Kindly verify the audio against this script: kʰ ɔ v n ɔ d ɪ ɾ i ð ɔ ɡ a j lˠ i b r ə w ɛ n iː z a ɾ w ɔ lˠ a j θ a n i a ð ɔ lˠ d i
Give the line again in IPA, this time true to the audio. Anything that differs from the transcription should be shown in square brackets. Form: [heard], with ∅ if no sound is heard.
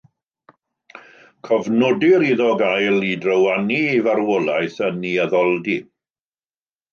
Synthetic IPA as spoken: kʰ ɔ v n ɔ d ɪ ɾ i ð ɔ ɡ a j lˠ i [d] r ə w [a] n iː [v] a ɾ w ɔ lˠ a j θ [ə] n i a ð ɔ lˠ d i